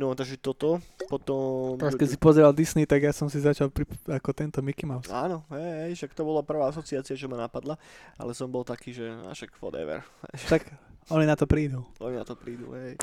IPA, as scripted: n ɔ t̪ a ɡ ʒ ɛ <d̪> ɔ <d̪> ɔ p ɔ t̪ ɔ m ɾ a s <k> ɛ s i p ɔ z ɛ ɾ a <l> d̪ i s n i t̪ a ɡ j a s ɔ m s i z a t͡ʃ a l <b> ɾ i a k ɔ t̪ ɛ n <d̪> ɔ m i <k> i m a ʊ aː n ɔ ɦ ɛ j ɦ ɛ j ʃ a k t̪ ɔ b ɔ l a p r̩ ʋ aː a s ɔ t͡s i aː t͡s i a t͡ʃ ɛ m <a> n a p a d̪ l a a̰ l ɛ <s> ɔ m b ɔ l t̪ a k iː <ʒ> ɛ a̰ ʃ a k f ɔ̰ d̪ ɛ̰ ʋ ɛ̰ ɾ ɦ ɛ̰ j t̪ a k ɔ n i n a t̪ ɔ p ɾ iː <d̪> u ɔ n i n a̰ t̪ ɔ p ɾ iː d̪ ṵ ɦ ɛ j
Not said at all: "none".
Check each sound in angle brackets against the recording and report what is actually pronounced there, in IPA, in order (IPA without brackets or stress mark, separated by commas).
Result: t̪, t̪, k, l, p, t̪, k, a, s, ʒ, d̪